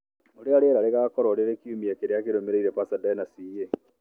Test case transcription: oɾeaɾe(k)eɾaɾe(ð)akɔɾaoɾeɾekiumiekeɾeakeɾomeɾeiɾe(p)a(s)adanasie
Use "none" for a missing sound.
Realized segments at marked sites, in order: none, ɣ, p, s

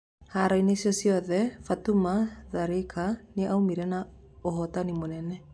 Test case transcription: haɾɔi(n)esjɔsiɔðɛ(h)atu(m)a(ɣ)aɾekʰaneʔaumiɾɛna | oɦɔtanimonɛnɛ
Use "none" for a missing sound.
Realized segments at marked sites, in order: n, f, m, ð

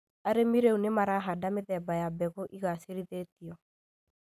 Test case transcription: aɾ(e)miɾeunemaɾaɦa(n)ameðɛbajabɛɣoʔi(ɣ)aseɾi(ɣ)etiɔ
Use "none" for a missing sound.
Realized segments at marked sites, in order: e, d, ɣ, ð

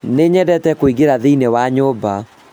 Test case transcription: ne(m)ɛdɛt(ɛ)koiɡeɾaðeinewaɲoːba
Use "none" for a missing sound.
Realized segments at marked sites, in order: ɲ, ɛ

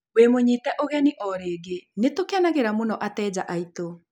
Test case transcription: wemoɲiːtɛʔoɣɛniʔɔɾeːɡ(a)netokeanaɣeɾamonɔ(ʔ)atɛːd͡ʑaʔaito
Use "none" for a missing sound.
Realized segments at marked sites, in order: e, ʔ

